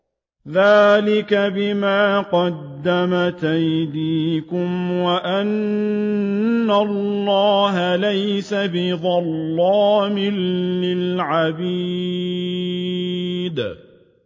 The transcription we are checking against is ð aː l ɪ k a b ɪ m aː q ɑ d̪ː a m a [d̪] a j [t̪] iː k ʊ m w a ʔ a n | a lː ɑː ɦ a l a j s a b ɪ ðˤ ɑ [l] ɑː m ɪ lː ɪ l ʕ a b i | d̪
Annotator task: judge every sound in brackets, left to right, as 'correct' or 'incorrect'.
incorrect: t̪, incorrect: d̪, incorrect: lː

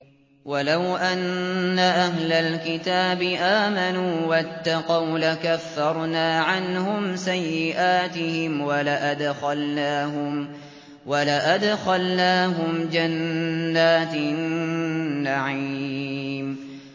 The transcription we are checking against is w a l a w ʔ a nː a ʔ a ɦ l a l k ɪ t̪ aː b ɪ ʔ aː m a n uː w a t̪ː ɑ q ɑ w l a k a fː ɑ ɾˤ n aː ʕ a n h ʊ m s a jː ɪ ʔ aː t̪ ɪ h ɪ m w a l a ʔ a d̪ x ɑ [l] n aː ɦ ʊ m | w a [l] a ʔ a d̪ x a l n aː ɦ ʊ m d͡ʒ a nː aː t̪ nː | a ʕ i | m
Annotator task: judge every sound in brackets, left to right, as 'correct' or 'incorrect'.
correct, correct

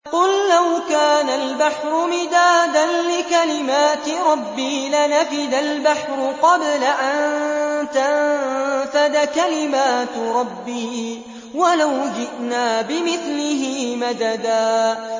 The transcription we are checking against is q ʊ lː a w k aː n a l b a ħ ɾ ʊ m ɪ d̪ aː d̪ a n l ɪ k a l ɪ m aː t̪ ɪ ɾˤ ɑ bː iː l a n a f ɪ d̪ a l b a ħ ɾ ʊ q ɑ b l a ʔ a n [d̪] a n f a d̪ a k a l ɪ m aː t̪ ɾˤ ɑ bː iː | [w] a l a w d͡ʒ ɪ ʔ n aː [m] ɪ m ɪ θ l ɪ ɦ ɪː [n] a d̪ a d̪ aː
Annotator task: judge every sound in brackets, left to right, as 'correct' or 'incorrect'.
incorrect: t̪, correct, incorrect: b, incorrect: m

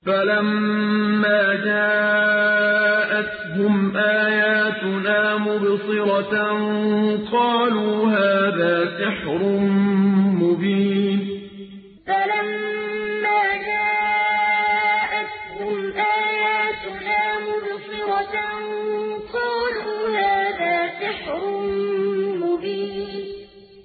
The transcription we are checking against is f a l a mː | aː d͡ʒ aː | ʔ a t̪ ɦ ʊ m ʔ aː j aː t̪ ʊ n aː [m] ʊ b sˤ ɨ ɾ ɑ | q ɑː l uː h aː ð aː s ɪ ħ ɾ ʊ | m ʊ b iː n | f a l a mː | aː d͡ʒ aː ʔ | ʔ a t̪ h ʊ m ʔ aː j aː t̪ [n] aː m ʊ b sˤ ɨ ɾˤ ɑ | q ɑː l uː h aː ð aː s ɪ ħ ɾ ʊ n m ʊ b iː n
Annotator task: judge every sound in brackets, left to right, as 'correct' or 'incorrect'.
correct, correct

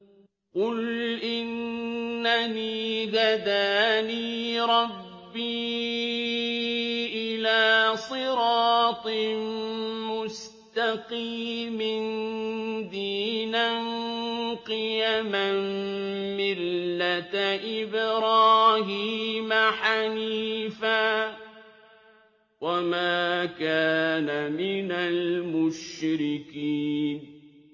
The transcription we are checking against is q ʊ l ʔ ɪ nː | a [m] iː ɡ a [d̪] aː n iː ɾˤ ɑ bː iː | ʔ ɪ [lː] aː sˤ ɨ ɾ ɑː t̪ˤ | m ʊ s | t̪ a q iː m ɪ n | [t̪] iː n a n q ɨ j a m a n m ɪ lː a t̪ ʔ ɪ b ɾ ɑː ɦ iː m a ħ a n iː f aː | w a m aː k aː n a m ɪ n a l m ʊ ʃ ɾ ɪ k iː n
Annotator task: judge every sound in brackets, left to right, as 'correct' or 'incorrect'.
incorrect: n, correct, incorrect: l, incorrect: d̪

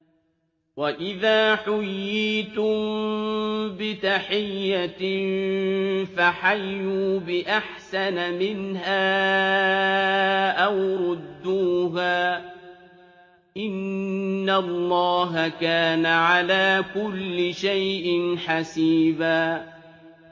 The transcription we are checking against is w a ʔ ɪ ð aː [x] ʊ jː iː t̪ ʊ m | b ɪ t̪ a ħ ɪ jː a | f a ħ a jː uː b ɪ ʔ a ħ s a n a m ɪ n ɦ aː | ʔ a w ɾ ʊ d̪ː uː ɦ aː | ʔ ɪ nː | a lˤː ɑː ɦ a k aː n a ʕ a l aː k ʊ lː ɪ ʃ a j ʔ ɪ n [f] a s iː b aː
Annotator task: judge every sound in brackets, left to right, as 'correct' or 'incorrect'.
incorrect: ħ, incorrect: ħ

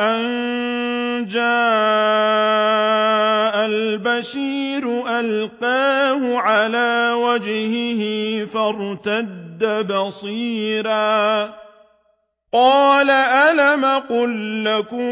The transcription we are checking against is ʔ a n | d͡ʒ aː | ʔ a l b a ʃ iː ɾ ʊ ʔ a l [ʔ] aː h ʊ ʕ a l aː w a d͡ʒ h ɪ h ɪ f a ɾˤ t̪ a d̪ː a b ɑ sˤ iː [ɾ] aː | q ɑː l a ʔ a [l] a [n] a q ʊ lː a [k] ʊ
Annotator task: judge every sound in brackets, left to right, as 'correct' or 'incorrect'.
incorrect: q, correct, correct, incorrect: m, correct

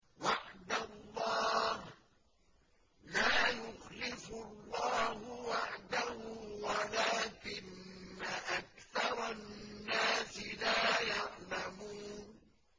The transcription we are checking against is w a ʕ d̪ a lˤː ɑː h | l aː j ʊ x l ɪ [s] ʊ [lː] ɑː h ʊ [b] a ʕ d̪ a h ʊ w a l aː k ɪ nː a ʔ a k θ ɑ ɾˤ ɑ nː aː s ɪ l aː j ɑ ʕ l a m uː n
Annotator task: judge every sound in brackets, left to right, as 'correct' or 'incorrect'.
incorrect: f, correct, incorrect: w

